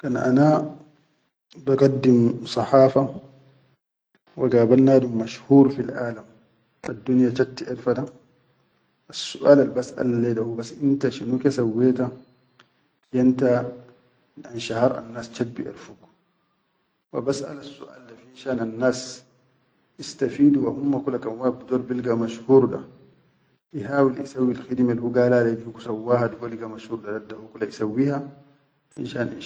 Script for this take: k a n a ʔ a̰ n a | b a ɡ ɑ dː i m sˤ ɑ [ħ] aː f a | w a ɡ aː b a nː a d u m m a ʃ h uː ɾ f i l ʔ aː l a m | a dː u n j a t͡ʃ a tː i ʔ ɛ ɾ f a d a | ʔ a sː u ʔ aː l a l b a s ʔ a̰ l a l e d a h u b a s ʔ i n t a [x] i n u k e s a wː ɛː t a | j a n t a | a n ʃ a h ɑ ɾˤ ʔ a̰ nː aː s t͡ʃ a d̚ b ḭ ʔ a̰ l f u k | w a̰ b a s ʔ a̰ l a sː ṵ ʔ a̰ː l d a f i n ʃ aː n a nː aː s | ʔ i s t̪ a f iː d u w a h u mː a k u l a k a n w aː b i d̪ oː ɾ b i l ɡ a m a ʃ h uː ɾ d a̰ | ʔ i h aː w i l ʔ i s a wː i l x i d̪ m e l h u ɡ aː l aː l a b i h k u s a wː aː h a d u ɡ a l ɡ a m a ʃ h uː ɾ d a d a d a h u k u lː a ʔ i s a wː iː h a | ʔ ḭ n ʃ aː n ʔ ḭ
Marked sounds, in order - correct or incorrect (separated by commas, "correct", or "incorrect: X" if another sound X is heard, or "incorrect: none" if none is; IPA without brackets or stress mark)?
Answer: correct, incorrect: ʃ